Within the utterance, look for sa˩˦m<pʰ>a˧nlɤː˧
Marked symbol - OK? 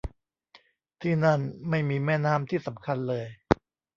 no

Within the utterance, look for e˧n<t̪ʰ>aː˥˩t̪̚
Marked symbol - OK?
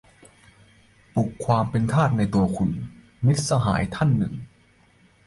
yes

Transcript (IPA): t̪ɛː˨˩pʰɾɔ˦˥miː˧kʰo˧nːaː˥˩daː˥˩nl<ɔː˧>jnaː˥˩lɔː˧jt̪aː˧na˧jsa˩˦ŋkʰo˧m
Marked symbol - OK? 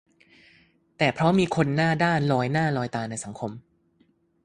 yes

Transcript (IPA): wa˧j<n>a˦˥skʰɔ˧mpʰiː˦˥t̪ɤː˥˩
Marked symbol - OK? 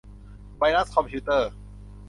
yes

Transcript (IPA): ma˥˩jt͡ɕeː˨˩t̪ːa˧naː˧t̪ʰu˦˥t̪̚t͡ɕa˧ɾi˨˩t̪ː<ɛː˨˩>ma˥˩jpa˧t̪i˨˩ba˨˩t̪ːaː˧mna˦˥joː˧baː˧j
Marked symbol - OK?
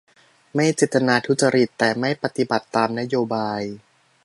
yes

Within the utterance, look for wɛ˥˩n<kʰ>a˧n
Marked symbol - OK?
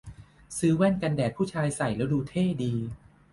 no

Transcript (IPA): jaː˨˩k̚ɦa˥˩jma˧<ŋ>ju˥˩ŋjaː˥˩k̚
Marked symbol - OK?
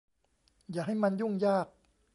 no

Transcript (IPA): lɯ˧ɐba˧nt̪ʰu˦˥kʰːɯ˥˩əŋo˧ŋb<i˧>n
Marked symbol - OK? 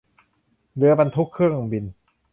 yes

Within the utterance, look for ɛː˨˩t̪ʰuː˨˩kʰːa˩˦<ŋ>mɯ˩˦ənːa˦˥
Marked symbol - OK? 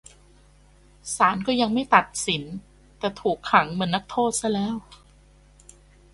yes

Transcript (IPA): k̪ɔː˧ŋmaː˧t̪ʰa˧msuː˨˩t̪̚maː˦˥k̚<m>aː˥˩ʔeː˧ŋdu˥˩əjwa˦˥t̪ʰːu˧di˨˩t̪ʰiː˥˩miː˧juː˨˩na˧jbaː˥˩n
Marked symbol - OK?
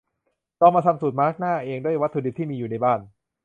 no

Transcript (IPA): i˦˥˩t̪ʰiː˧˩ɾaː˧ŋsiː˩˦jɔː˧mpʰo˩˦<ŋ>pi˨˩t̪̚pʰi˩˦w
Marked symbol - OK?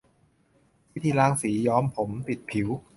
no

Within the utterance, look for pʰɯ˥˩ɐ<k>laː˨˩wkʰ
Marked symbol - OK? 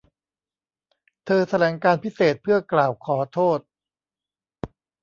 yes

